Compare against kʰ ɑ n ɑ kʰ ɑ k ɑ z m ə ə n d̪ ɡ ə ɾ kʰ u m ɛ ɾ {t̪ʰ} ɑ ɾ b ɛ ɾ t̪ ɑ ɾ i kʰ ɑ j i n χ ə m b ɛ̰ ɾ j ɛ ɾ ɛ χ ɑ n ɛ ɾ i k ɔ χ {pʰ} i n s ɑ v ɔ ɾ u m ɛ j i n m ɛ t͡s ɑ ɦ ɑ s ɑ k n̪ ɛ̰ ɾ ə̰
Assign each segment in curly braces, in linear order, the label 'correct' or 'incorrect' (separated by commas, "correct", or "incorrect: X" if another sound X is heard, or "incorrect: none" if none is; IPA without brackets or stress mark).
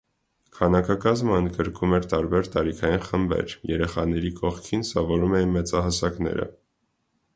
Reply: incorrect: t̪, incorrect: kʰ